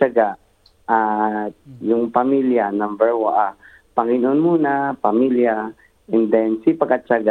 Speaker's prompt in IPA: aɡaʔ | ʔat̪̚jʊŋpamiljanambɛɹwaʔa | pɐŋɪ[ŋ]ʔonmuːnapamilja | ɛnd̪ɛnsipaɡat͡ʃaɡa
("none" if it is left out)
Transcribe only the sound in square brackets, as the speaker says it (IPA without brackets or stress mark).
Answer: n